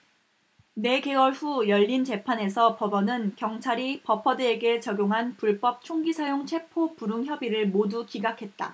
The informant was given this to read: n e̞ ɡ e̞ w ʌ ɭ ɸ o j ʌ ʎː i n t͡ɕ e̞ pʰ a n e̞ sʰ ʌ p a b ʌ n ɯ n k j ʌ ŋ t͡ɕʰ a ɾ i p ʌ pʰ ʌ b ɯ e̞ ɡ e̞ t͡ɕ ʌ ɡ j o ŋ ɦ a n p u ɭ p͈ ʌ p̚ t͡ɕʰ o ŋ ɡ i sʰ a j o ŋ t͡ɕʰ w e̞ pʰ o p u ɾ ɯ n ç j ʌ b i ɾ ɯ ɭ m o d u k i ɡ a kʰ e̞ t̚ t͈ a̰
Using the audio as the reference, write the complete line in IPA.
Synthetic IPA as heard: n e̞ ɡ e̞ w ʌ ɭ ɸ u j ʌ ʎː i n t͡ɕ e̞ pʰ a n e̞ sʰ ʌ p ʌ b ʌ n ɯ n k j ʌ ŋ t͡ɕʰ a ɾ i p ʌ pʰ ʌ d ɯ e̞ ɡ e̞ t͡ɕ ʌ ɡ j o ŋ ɦ a n p u ɭ p͈ ʌ p̚ t͡ɕʰ o ŋ ɡ i sʰ a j o ŋ t͡ɕʰ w e̞ pʰ o p u ɾ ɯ ŋ ç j ʌ b i ɾ ɯ ɭ m o d u k i ɡ a kʰ e̞ t̚ t͈ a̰